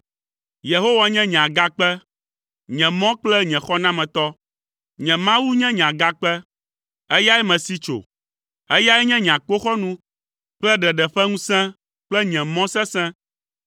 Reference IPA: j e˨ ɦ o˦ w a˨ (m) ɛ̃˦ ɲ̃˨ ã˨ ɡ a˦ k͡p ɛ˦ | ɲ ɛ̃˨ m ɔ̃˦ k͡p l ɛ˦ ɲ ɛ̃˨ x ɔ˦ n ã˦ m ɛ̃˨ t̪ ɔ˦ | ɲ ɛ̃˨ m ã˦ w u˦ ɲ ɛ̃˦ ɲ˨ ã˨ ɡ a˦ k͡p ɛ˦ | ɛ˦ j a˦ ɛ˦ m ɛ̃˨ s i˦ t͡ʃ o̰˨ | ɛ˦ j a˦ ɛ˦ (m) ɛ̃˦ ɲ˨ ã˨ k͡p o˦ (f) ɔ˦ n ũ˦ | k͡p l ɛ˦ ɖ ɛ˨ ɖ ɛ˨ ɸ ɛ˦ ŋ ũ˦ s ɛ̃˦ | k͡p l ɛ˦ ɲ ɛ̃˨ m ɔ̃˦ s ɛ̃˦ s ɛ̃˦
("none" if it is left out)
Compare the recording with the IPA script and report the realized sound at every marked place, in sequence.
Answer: ɲ, ɲ, x

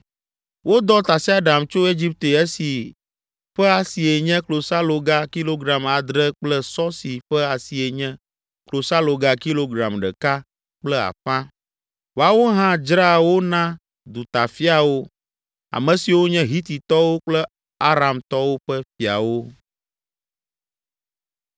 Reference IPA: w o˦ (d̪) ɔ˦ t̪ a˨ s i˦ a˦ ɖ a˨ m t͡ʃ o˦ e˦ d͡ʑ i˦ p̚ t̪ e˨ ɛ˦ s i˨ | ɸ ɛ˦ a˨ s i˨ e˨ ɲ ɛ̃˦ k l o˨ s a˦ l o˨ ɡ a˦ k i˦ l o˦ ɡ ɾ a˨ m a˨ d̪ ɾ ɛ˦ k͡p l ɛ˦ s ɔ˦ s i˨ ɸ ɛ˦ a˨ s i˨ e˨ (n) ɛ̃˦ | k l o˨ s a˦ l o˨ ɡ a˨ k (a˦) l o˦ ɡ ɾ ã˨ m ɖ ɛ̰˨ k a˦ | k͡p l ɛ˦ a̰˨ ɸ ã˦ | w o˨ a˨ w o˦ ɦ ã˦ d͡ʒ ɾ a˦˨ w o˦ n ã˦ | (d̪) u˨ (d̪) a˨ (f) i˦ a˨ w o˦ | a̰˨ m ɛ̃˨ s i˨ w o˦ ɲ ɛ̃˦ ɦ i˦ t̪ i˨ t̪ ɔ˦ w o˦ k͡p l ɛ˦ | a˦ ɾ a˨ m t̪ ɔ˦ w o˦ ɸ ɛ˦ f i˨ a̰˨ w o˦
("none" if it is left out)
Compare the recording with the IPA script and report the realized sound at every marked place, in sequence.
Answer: d̪, ɲ, i˦, d̪, t̪, f

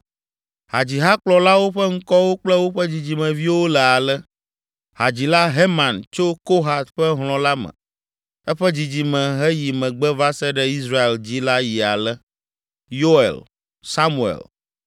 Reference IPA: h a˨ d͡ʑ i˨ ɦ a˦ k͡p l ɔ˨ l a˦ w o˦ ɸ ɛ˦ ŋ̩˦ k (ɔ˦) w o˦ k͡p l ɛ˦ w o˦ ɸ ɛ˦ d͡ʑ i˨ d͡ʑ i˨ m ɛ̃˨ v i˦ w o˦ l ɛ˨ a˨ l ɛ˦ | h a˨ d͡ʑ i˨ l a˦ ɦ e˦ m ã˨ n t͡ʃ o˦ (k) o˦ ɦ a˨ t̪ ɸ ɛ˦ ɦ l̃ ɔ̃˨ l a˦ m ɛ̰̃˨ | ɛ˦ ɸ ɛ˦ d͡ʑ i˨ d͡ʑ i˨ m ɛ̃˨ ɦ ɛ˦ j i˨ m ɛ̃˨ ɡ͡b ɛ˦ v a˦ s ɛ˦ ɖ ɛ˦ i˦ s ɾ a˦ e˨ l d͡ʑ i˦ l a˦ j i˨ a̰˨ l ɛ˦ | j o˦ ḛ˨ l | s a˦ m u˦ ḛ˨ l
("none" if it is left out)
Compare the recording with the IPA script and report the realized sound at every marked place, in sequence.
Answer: ɔ˦, k

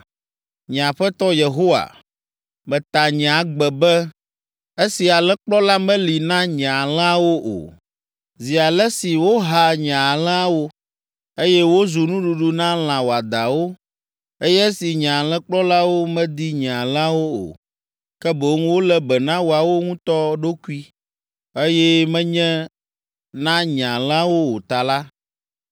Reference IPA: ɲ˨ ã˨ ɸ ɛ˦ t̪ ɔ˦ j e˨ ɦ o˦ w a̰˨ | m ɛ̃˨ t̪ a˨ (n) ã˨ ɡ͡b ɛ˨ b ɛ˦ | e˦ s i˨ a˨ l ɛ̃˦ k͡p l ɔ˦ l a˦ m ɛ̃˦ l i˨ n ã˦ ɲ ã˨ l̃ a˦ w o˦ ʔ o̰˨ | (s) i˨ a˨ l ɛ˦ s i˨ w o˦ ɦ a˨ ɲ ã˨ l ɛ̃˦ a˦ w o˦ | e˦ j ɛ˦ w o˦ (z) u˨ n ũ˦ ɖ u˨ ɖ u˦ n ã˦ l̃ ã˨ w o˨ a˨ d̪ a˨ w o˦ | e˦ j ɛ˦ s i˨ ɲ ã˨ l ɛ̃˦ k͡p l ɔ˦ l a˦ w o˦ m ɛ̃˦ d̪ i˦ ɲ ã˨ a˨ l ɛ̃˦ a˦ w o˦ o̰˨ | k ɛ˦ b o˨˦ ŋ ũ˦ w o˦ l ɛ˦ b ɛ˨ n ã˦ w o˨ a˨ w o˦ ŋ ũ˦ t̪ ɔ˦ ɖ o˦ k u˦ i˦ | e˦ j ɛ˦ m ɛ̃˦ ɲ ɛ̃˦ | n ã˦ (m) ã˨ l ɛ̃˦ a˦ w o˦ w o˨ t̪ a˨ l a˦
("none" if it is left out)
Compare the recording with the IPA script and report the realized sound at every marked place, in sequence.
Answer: ɲ, z, z, ɲ

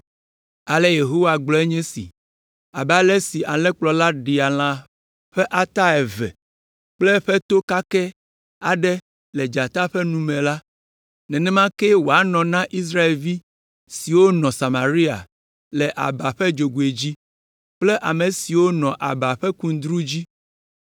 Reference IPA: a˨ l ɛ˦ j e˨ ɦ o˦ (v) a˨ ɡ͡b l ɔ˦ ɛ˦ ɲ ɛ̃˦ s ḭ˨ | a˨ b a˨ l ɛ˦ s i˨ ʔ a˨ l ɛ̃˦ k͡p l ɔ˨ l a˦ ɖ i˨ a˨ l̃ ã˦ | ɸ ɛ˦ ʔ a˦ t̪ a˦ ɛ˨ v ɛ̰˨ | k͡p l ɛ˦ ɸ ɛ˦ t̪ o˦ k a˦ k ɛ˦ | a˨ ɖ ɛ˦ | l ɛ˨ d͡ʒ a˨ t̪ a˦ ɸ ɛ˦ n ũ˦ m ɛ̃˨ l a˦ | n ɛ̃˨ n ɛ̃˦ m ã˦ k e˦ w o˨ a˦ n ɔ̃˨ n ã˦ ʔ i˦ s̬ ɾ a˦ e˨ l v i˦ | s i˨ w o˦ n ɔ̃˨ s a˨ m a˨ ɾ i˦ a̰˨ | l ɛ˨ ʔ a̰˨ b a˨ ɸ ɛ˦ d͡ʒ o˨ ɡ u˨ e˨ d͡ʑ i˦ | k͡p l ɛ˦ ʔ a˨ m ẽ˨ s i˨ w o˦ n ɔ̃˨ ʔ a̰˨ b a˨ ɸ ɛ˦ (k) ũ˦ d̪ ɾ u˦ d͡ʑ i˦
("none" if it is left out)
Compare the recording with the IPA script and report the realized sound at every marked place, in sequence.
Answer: w, k

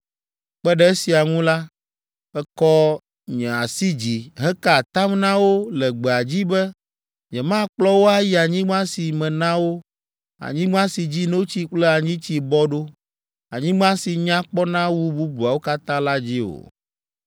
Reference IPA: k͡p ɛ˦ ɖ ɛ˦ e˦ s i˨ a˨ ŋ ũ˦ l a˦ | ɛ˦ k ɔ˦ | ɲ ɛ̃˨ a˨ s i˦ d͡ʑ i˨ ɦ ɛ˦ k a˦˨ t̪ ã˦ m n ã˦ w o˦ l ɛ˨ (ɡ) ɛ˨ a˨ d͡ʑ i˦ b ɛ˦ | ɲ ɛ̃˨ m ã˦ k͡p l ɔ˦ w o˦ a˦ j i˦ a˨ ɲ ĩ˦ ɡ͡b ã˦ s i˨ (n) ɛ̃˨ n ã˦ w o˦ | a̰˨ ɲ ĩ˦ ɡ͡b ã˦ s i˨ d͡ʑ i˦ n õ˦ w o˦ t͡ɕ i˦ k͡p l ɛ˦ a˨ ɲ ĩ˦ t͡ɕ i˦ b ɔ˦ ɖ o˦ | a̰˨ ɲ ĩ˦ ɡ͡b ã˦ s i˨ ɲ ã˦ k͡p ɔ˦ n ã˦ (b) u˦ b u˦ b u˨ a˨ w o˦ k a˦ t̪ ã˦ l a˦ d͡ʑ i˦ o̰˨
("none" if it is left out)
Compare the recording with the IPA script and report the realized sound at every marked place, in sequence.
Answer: ɡ͡b, m, w

